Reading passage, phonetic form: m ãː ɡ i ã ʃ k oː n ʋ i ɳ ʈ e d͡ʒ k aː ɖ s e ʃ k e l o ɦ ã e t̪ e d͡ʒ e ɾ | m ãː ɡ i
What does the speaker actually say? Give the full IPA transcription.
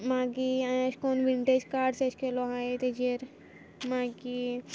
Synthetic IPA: m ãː ɡ i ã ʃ k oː n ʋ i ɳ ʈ e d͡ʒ k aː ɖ s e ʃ k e l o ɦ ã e t̪ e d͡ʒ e ɾ | m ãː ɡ i